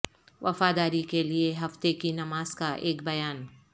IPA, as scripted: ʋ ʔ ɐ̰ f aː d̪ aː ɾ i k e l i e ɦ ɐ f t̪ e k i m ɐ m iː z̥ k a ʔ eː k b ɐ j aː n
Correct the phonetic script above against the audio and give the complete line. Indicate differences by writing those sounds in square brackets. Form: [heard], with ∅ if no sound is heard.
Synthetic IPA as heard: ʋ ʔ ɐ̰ f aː d̪ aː ɾ i k e l i e ɦ ɐ f t̪ e k i [n] ɐ m [aː] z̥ k a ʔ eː k b ɐ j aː n